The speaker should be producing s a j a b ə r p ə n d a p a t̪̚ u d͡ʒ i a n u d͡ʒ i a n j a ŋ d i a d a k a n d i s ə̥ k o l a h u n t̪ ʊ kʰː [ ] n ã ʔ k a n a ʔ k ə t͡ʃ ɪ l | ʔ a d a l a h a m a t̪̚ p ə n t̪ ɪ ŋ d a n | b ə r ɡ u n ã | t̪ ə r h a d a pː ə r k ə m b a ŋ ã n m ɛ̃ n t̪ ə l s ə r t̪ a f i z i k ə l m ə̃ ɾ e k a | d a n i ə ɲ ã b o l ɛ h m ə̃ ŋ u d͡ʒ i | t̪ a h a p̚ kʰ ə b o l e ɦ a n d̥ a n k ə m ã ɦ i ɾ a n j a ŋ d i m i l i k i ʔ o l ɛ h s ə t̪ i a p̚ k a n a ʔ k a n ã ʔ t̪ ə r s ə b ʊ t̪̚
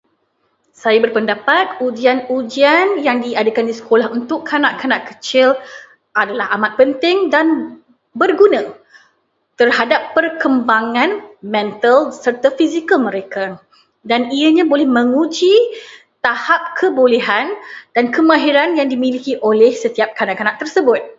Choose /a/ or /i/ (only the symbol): a